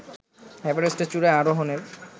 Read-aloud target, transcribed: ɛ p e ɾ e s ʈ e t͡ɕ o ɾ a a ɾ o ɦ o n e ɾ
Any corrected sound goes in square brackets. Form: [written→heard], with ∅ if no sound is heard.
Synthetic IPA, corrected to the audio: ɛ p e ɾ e s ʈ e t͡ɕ [o→u] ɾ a a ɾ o ɦ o n e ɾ